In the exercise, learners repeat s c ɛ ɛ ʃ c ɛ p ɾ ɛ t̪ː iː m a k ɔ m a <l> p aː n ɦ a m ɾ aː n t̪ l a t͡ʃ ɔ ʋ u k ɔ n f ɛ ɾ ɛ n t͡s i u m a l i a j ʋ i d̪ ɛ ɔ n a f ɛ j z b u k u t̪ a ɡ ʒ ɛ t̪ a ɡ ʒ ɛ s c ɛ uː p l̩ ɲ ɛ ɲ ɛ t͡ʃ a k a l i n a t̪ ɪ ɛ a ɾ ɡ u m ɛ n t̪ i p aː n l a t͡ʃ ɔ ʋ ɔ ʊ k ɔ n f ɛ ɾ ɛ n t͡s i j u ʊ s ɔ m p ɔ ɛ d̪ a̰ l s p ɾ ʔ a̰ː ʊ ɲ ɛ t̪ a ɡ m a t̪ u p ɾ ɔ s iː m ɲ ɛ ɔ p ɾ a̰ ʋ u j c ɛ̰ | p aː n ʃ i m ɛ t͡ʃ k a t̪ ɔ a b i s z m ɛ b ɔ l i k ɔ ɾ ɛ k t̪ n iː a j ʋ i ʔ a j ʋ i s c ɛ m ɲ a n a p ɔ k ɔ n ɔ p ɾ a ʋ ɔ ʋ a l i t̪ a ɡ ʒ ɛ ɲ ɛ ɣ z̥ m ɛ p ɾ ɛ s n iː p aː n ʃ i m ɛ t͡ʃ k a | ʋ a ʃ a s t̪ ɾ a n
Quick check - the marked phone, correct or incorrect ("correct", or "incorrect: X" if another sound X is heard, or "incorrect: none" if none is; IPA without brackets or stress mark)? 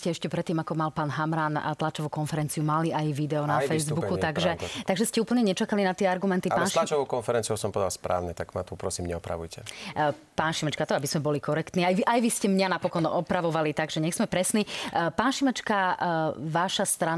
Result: correct